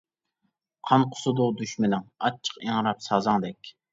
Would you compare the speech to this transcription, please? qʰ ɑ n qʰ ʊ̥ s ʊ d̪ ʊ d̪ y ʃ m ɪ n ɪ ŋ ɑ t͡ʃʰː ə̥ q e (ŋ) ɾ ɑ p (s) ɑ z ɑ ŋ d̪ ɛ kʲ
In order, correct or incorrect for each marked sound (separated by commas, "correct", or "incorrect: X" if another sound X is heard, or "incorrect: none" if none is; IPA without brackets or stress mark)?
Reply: correct, correct